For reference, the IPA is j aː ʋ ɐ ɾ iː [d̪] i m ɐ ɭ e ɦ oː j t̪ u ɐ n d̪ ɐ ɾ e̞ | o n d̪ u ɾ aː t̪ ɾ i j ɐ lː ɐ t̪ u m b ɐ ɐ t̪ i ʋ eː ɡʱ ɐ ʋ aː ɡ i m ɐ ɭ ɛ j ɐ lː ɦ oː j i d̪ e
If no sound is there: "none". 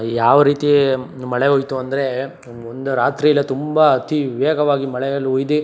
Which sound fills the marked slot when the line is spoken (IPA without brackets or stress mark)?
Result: t̪